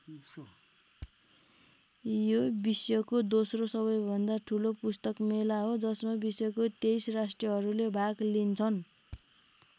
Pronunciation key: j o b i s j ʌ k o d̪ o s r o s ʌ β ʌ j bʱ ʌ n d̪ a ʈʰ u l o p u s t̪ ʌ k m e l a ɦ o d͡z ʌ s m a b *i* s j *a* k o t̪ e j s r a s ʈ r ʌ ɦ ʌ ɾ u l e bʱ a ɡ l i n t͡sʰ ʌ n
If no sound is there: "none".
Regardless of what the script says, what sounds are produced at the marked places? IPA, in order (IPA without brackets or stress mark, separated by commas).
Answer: i, ʌ